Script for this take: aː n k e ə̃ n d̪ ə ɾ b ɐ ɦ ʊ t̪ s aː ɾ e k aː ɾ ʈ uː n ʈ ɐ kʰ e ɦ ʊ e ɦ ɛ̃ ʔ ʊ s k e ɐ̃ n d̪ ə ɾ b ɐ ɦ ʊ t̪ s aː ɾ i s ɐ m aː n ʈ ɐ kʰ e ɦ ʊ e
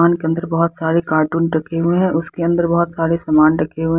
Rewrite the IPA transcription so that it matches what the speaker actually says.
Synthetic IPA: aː n k e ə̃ n d̪ ə ɾ b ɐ ɦ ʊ t̪ s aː ɾ e k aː ɾ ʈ uː n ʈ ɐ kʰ e ɦ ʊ e ɦ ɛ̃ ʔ ʊ s k e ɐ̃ n d̪ ə ɾ b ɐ ɦ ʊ t̪ s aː ɾ e s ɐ m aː n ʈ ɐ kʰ e ɦ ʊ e